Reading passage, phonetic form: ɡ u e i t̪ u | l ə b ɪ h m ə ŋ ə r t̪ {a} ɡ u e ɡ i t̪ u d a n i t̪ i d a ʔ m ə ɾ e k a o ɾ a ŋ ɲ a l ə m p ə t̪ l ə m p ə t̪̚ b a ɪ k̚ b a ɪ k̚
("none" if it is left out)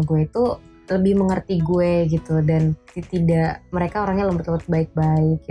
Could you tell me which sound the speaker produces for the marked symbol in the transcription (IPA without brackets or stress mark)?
i